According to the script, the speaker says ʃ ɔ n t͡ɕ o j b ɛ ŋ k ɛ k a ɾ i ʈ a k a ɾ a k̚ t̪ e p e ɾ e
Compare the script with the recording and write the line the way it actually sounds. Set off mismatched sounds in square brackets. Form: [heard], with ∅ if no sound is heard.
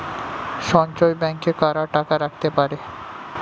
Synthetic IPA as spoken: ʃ ɔ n t͡ɕ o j b ɛ ŋ k [e] k a ɾ [a] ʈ a k a ɾ a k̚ t̪ e p [a] ɾ e